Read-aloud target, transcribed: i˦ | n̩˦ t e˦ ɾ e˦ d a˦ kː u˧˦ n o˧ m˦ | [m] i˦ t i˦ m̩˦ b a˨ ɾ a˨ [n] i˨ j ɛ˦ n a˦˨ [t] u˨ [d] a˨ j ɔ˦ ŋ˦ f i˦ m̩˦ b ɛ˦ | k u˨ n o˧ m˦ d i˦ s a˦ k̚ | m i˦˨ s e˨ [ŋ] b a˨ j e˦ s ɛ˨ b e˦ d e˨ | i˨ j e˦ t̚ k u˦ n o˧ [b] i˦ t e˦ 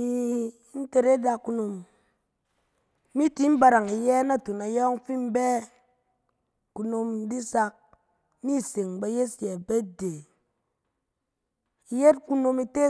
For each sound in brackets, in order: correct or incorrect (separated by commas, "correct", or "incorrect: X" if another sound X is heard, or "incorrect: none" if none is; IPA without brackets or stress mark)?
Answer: correct, incorrect: ŋ, correct, incorrect: n, correct, incorrect: m